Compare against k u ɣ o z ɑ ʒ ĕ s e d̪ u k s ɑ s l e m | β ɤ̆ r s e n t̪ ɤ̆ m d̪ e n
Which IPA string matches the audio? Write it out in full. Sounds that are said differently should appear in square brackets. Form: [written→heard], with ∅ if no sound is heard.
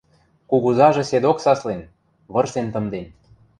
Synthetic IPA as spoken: k u ɣ [o→u] z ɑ ʒ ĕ s e d̪ [u→o] k s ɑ s l e [m→n] | β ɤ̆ r s e n t̪ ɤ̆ m d̪ e n